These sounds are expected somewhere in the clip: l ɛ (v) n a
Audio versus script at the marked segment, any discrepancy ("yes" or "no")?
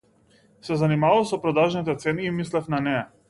yes